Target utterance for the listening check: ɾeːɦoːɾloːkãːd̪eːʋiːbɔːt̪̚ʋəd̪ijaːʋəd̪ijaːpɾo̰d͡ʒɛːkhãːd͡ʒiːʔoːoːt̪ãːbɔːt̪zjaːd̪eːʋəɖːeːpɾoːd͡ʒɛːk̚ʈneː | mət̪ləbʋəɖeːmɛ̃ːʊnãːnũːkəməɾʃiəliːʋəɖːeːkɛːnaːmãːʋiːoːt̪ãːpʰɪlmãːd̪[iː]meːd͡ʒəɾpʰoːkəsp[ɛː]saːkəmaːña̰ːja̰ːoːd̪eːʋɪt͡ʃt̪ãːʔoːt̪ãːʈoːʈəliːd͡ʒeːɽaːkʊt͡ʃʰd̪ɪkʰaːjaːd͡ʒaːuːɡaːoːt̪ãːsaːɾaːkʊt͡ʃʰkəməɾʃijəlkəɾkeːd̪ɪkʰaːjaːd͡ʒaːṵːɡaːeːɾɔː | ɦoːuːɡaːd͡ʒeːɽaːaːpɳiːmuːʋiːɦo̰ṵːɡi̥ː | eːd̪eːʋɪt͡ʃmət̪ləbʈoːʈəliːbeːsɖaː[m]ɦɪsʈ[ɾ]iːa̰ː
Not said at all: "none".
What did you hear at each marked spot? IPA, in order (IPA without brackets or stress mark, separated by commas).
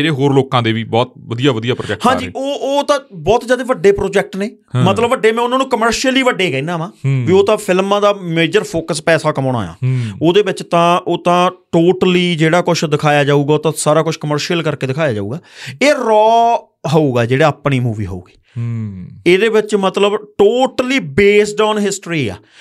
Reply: aː, ɛː, n, ɾ